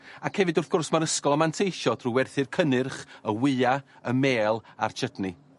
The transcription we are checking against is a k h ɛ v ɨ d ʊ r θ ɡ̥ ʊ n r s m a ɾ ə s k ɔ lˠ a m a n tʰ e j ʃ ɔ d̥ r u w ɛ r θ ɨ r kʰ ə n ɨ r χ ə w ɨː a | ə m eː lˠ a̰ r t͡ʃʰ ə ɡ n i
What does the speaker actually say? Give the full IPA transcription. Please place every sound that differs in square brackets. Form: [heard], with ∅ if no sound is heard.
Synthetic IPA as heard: a k h ɛ v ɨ d ʊ r θ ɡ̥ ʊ [∅] r s m a ɾ ə s k ɔ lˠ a m a n tʰ e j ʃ ɔ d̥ r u w ɛ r θ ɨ r kʰ ə n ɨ r χ ə w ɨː a | ə m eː lˠ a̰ r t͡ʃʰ ə [d] n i